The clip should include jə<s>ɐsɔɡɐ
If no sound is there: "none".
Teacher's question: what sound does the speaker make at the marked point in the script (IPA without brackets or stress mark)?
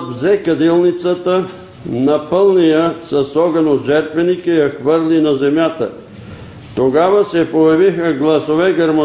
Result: s